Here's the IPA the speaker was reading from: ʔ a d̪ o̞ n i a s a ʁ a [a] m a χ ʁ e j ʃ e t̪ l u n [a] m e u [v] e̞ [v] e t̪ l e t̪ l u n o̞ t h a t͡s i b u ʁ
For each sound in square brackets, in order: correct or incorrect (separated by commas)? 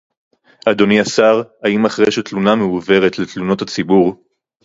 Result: incorrect, correct, correct, incorrect